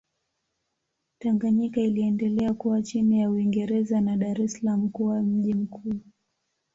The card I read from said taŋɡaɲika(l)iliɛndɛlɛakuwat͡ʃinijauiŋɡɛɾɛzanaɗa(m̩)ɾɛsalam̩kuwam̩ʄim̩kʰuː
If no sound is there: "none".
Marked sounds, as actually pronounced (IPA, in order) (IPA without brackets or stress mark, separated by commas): none, none